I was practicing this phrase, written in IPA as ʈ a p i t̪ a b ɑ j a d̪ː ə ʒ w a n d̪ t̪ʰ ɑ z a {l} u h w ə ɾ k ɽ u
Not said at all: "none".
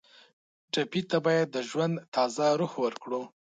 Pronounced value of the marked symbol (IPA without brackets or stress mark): ɾ